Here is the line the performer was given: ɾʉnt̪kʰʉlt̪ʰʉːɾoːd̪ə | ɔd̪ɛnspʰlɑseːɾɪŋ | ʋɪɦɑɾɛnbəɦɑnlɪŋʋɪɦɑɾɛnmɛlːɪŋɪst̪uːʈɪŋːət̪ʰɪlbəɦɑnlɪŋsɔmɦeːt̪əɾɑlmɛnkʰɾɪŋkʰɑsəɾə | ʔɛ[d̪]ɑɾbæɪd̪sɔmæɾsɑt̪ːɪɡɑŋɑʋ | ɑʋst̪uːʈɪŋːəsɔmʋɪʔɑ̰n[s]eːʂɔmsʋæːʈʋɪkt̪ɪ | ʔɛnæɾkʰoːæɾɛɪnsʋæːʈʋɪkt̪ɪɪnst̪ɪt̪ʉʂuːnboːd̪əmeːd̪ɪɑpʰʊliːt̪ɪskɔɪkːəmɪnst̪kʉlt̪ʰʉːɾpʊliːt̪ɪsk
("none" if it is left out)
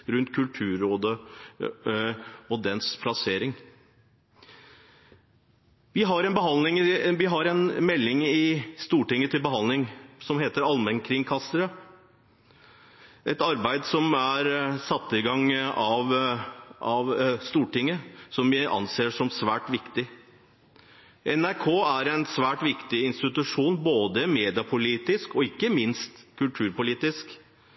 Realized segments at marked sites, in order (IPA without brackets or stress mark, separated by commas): t̪, s